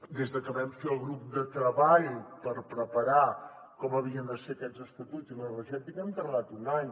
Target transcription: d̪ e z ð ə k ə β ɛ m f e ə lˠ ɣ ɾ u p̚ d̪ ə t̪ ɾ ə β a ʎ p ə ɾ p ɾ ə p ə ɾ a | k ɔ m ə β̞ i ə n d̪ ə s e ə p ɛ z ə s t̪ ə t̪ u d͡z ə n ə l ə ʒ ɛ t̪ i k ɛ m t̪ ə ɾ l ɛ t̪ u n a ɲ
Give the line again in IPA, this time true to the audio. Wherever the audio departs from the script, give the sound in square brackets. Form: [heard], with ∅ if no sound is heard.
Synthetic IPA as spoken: d̪ e z ð ə k ə β ɛ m f e ə lˠ ɣ ɾ u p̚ d̪ ə t̪ ɾ ə β a ʎ p ə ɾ p ɾ ə p ə ɾ a | k ɔ m ə β̞ i ə n d̪ ə s e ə [k] ɛ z ə s t̪ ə t̪ u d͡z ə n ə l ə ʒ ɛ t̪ i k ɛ m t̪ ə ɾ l [a] t̪ u n a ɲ